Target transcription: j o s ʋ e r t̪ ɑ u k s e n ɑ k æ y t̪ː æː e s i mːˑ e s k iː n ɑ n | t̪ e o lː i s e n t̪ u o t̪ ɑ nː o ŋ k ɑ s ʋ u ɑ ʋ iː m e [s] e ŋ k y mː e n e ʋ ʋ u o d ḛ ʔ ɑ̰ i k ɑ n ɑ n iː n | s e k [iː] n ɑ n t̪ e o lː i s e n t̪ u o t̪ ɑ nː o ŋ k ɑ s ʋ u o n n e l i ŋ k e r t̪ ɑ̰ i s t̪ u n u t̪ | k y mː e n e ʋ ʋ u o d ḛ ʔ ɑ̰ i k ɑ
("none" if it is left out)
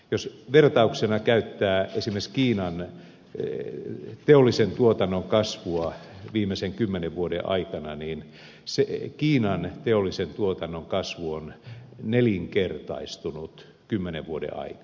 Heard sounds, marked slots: s, iː

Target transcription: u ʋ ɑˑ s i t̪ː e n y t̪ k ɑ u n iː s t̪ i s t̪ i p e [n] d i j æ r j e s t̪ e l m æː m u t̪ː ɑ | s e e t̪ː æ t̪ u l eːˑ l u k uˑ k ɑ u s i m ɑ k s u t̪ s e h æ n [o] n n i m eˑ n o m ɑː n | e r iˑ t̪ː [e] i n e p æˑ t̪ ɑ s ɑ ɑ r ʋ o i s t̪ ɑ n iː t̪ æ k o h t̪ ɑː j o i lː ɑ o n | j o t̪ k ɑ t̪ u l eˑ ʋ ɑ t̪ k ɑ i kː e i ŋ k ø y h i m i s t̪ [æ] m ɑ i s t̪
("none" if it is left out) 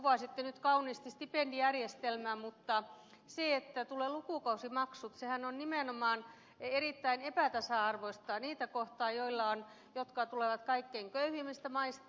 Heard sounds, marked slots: n, o, æ, æ

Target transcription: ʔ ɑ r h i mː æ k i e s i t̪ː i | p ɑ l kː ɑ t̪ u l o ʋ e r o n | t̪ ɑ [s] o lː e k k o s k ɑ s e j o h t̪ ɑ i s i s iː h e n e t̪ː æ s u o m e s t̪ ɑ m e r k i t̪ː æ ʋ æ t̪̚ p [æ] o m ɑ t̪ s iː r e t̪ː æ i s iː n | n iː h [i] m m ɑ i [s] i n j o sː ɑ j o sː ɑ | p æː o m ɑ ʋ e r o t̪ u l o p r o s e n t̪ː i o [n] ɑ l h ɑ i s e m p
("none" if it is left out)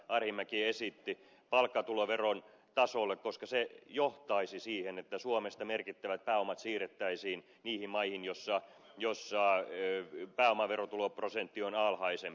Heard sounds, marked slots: s, æː, i, h, n

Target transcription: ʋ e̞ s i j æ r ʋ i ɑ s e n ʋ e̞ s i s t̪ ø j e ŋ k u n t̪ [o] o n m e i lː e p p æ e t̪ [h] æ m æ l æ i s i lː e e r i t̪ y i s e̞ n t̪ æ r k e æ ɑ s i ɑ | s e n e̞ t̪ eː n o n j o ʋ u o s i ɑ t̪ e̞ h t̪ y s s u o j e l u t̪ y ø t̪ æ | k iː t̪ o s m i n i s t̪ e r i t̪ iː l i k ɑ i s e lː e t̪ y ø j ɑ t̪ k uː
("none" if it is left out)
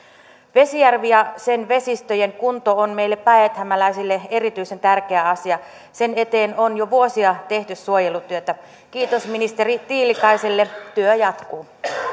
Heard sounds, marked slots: o, h

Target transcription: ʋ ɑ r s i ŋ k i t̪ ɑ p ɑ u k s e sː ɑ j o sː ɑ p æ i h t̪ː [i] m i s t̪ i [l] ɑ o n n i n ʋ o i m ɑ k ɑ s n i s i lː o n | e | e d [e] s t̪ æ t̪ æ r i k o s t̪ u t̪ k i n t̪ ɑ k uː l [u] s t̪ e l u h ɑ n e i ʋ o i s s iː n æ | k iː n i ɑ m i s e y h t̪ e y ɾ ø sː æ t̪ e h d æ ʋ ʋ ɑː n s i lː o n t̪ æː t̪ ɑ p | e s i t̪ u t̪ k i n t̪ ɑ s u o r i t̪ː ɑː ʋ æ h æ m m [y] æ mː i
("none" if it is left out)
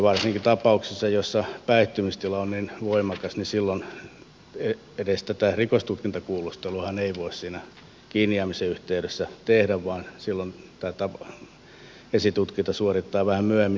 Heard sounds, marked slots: y, l, e, u, y

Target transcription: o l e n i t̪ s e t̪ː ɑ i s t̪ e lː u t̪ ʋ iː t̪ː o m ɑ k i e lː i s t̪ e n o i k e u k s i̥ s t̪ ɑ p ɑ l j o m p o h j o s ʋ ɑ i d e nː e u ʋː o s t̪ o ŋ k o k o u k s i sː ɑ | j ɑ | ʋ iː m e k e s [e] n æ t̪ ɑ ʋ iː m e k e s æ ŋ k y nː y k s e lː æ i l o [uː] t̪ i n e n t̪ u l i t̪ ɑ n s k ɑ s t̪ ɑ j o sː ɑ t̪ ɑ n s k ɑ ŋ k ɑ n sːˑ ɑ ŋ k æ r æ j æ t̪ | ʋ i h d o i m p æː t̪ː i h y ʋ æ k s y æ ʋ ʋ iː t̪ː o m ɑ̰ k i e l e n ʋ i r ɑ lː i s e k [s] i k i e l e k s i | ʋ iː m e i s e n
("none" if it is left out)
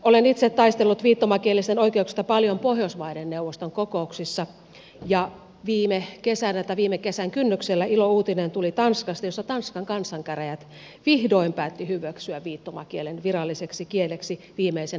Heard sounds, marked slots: æ, uː, s

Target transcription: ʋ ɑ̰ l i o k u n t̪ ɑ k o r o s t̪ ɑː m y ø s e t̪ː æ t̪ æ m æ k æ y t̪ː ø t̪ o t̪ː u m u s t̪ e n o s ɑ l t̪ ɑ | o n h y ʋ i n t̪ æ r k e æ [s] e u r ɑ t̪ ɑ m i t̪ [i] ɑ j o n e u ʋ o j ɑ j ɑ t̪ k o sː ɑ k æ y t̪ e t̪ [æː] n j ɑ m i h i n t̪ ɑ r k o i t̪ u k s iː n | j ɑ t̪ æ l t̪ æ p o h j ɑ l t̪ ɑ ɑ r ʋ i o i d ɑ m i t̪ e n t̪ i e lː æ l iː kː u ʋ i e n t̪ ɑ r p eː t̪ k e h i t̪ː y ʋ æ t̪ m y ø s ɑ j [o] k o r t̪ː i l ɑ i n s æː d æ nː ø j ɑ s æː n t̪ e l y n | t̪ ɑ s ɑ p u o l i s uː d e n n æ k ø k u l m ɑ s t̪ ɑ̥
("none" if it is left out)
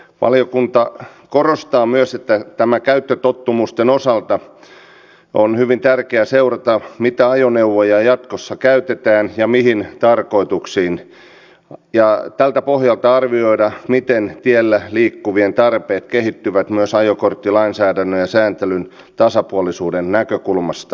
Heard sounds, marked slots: s, æ, æː, o

